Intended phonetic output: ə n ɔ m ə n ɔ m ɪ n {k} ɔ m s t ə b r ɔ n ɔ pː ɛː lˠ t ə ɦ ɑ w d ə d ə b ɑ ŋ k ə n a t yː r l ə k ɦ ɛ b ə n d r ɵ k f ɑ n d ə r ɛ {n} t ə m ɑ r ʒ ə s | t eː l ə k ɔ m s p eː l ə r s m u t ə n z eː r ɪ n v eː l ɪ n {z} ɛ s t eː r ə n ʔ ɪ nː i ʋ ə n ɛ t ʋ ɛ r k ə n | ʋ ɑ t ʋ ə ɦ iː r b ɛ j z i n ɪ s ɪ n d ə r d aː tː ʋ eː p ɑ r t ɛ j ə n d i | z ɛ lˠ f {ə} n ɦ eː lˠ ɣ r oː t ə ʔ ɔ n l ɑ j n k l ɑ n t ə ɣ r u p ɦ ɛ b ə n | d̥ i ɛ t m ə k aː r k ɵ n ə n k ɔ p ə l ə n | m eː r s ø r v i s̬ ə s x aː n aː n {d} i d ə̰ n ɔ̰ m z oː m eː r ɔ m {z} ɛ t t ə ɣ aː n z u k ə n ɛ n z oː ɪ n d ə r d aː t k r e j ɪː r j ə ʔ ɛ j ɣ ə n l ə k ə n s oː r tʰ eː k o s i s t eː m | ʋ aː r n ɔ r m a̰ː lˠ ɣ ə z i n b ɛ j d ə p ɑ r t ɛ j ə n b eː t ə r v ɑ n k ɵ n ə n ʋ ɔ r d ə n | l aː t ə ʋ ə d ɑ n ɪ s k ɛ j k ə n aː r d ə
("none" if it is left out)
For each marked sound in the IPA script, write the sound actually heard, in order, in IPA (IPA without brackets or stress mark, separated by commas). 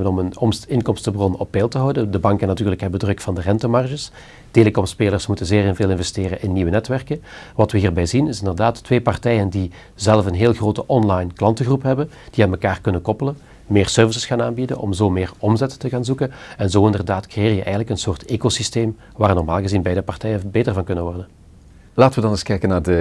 k, n, v, ə, b, z